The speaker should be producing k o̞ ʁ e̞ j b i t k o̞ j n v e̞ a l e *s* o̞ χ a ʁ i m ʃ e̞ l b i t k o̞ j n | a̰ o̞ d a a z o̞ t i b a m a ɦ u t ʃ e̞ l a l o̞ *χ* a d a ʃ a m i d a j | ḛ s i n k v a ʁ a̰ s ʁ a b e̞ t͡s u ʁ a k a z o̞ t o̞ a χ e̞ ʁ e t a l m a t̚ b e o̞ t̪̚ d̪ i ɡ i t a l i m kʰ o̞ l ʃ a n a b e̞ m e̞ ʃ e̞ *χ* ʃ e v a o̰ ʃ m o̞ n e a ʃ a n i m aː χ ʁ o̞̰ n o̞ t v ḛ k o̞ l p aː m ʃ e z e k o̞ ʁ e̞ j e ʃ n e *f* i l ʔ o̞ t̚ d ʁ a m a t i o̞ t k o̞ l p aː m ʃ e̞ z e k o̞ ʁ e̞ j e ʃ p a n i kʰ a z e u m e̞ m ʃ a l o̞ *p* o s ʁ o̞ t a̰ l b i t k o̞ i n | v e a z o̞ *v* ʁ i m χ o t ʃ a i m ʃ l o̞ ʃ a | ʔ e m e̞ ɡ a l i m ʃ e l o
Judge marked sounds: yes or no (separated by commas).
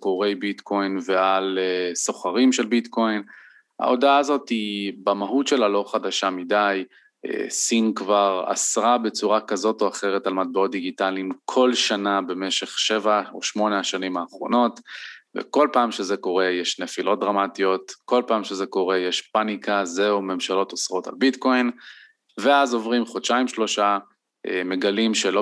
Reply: yes, yes, yes, yes, no, yes